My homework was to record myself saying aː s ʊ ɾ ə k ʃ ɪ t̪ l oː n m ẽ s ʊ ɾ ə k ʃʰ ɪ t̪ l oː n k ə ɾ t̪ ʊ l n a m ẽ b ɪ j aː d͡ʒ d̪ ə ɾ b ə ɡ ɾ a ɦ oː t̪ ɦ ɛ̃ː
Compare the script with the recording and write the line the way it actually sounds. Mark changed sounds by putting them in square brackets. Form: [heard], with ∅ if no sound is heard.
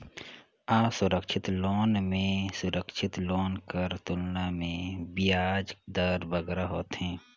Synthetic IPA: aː s ʊ ɾ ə k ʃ ɪ t̪ l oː n m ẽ s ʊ ɾ ə k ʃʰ ɪ t̪ l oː n k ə ɾ t̪ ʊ l n a m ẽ b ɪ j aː d͡ʒ d̪ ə ɾ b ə ɡ ɾ a ɦ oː t̪ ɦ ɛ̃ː